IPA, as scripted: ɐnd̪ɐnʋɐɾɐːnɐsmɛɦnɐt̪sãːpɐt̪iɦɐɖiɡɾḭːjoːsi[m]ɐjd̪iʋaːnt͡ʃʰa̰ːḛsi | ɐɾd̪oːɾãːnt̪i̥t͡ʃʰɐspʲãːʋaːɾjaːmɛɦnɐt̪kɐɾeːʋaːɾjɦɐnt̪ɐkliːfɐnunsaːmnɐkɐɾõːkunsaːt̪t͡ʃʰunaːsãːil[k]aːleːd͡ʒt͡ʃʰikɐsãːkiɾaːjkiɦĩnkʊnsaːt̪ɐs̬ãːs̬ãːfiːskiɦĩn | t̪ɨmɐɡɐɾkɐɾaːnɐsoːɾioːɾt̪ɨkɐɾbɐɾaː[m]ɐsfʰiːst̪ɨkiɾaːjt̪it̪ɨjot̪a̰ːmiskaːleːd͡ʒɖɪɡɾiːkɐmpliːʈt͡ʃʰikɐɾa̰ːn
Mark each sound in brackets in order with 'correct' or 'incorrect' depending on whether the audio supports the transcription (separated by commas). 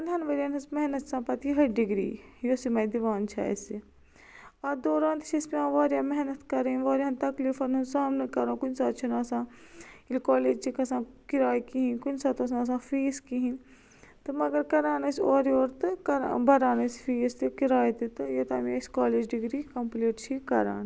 correct, correct, incorrect